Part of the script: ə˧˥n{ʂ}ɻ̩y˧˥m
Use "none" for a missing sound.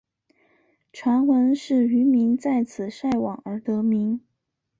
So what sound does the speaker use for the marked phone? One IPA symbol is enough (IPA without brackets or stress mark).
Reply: ʂ